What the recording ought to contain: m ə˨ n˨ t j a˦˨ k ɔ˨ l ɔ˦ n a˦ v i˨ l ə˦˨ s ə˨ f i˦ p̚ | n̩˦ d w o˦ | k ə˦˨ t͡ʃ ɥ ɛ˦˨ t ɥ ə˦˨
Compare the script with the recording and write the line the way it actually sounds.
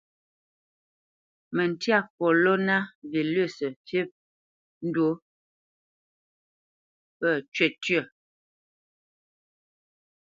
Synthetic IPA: m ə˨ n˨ t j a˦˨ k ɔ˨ l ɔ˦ n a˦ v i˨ l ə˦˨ s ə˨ f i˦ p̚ | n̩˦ d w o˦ | p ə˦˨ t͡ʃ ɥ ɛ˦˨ t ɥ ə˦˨